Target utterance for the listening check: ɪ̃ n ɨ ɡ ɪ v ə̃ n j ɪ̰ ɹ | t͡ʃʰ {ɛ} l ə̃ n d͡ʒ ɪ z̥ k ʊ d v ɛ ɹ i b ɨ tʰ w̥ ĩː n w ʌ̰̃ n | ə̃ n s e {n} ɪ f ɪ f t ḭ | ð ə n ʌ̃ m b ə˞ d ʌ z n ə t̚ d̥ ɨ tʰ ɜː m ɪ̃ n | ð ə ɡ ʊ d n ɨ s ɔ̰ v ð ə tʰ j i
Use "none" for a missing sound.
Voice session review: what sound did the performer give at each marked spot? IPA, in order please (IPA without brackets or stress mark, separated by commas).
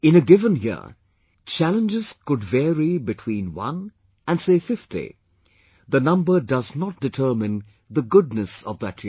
æ, none